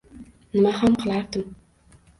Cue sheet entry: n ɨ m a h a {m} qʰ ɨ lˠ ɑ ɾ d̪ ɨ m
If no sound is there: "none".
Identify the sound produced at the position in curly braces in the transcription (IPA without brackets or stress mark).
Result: m